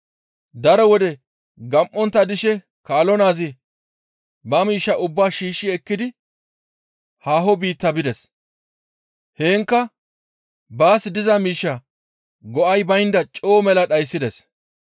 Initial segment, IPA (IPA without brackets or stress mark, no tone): d̪